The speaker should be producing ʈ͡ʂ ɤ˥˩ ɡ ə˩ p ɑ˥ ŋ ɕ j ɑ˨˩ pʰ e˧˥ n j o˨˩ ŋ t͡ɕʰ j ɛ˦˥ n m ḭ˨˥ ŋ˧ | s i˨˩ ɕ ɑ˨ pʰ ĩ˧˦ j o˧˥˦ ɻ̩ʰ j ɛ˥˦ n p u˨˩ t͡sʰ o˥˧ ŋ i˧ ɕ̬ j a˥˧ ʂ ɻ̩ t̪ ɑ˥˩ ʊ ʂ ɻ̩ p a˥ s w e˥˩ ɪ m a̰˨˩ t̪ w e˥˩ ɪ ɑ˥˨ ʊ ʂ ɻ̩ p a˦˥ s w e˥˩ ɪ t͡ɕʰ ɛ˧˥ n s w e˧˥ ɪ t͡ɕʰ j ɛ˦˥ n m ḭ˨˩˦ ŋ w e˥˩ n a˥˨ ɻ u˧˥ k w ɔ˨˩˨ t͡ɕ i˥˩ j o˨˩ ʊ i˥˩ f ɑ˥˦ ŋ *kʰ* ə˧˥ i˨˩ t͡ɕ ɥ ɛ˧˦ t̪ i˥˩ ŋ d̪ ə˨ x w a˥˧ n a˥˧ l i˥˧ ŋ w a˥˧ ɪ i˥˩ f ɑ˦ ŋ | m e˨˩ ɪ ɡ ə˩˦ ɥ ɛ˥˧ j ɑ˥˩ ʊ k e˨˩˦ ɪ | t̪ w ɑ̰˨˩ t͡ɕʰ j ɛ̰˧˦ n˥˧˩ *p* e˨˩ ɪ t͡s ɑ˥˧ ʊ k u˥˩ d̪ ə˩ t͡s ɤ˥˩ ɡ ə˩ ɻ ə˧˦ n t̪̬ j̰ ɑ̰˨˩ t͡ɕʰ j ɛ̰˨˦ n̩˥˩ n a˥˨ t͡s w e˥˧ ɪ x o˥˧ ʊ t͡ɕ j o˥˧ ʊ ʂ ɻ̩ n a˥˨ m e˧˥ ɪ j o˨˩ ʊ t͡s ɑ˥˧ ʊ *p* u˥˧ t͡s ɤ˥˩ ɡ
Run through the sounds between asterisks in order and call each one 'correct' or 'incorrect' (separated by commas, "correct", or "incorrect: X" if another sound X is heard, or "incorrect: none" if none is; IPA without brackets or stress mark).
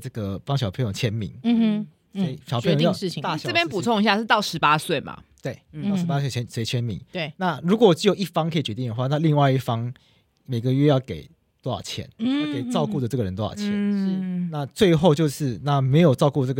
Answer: correct, incorrect: k, incorrect: k